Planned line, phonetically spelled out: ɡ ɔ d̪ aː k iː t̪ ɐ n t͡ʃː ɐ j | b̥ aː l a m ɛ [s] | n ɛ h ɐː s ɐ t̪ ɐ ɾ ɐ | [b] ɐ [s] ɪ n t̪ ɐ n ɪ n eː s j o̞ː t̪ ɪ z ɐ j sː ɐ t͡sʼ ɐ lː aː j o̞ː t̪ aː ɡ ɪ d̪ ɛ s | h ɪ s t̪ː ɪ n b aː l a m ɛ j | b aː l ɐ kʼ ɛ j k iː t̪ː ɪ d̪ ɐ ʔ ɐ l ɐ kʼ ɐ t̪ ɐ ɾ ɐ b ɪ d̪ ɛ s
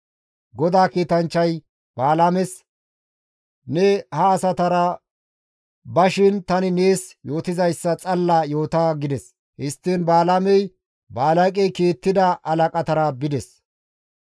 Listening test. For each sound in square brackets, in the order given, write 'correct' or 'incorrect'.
correct, correct, incorrect

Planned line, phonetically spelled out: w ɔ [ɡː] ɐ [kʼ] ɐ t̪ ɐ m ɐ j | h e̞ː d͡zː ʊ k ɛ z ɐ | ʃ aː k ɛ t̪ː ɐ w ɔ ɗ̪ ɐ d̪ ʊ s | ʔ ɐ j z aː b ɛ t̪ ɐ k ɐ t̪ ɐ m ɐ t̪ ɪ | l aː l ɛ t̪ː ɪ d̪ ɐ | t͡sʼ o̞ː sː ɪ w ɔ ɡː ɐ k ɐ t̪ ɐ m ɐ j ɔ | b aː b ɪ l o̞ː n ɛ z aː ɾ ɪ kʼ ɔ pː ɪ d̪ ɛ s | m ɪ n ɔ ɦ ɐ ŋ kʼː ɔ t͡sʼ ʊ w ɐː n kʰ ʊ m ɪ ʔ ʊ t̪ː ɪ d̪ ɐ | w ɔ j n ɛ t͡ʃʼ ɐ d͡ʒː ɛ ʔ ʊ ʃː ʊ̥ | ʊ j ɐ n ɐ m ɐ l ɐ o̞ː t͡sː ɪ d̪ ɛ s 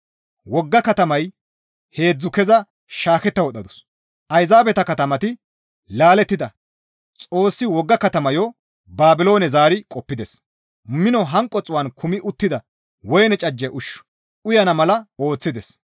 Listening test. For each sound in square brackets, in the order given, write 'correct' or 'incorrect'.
correct, incorrect

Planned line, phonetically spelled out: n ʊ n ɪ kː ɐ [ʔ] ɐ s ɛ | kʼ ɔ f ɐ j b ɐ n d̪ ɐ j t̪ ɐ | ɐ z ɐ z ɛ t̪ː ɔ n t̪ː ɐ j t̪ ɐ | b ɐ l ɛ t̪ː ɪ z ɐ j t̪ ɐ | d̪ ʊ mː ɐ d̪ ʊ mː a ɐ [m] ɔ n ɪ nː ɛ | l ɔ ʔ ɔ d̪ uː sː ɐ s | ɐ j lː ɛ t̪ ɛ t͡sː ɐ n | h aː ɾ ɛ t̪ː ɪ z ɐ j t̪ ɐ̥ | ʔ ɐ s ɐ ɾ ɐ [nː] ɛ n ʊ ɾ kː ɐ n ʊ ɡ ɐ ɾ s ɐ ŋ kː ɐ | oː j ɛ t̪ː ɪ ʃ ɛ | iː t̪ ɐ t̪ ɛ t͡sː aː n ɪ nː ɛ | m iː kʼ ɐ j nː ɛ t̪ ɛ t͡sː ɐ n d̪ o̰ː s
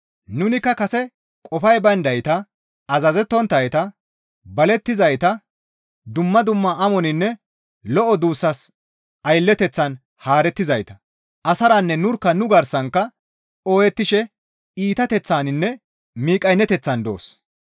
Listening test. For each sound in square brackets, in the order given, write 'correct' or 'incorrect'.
incorrect, correct, correct

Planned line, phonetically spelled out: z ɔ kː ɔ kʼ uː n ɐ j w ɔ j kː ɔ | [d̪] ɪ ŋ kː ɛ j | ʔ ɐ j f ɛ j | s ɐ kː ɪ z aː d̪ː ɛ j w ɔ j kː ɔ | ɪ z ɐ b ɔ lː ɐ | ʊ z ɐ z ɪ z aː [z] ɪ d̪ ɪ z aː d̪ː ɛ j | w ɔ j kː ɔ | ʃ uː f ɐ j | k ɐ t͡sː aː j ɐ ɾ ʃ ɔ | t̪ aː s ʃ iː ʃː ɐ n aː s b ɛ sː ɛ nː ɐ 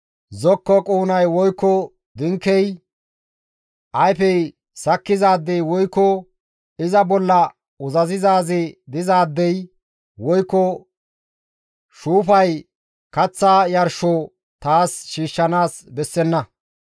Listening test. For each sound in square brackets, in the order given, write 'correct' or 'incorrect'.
correct, correct

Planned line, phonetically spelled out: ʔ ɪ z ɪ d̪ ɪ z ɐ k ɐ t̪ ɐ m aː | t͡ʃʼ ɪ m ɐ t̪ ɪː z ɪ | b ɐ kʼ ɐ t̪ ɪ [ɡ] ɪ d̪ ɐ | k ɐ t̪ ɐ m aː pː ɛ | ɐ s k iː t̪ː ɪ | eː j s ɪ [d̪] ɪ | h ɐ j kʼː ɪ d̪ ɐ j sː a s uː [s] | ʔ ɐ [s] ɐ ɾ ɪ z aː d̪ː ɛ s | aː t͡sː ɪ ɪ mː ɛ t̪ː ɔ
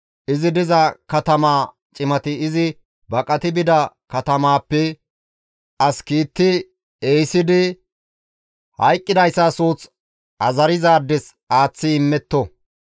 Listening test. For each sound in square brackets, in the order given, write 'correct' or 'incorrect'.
incorrect, correct, incorrect, incorrect

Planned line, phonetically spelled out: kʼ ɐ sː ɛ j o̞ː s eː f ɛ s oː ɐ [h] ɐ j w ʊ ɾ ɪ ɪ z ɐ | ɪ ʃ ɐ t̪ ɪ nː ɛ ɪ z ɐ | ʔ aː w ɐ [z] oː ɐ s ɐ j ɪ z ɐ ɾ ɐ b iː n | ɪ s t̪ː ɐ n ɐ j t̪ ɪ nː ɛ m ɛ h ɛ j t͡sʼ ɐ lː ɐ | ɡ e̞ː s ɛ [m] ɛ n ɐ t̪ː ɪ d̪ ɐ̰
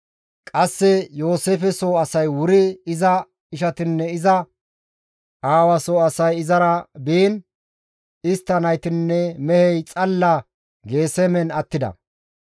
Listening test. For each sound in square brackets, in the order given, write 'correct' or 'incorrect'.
incorrect, incorrect, correct

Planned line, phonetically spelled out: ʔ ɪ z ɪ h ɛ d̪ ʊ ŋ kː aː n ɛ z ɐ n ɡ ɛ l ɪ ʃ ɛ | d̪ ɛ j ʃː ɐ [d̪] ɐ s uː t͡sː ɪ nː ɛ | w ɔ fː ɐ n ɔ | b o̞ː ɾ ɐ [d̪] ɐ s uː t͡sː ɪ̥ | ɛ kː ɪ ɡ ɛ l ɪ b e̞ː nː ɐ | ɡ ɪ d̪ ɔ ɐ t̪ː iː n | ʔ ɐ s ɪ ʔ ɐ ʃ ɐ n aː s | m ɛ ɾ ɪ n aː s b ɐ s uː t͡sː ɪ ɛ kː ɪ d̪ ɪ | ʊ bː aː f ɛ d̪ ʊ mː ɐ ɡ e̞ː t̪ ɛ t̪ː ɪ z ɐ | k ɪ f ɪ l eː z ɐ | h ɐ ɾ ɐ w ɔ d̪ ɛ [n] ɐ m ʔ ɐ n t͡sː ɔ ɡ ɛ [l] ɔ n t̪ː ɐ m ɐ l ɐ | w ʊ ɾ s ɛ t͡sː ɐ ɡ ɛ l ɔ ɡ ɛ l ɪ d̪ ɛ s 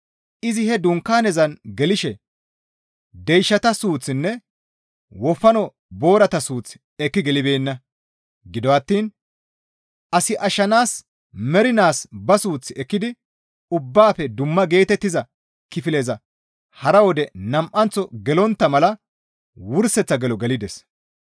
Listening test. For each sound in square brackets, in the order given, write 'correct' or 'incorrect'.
incorrect, incorrect, correct, correct

